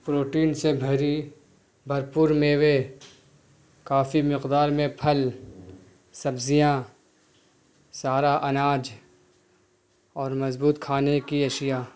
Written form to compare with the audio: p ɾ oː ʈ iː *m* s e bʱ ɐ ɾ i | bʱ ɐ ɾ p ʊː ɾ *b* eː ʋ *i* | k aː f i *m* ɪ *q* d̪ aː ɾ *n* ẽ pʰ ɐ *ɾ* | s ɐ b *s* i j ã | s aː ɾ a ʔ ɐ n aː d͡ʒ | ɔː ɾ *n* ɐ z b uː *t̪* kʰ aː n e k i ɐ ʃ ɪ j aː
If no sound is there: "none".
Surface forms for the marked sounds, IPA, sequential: n, m, e, m, q, m, l, z, m, t̪

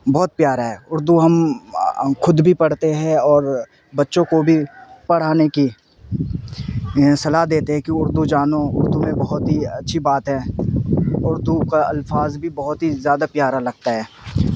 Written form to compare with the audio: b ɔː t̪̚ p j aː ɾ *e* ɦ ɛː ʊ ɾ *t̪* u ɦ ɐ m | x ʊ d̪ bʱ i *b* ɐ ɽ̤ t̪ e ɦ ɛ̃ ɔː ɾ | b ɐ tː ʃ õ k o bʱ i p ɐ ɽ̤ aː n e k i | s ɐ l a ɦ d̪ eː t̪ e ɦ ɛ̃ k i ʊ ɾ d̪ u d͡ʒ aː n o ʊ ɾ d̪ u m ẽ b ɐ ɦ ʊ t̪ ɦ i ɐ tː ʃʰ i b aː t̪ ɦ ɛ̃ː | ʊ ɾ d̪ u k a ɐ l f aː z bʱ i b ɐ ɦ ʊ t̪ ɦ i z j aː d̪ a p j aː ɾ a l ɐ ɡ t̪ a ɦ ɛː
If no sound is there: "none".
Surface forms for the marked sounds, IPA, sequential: a, d̪, p

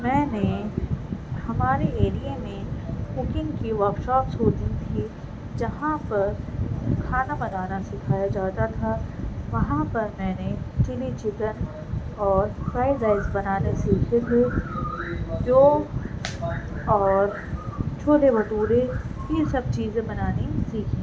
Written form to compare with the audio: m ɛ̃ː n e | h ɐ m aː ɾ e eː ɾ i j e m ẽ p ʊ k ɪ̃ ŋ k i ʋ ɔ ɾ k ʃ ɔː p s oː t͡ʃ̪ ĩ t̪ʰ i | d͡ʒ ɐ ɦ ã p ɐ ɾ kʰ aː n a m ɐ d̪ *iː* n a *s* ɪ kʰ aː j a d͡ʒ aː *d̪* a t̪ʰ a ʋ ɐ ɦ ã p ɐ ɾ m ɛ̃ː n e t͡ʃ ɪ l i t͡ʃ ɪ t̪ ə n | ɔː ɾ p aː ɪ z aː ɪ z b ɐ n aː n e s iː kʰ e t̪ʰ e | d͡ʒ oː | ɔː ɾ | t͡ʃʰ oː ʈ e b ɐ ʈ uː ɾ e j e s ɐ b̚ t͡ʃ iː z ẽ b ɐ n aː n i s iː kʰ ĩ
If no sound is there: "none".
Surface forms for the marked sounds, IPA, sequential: aː, s, t̪

